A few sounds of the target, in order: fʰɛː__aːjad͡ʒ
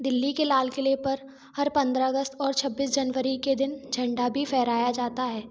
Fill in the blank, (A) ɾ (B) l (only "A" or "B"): A